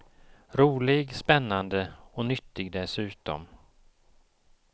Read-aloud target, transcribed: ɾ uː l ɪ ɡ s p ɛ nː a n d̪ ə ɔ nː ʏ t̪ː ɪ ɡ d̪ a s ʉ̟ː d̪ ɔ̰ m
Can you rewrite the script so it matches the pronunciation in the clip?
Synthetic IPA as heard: ɾ uː l ɪ ɡ s p ɛ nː a n d̪ ə ɔ n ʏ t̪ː ɪ ɡ d̪ ɛ s ʉ̟ː t̪ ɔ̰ m